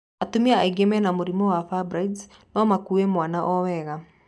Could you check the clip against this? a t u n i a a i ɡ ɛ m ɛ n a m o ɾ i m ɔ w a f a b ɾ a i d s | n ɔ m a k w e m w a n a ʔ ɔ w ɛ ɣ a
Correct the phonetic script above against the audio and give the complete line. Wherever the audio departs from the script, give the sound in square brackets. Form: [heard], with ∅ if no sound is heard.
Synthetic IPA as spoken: a t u [m] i a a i ɡ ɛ m ɛ n a m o ɾ i m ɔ w a f a b ɾ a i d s | n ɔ m a k [u] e m w a n a ʔ ɔ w ɛ ɣ a